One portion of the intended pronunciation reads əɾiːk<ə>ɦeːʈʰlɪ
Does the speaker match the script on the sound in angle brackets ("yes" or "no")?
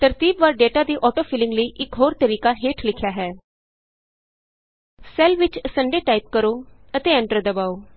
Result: no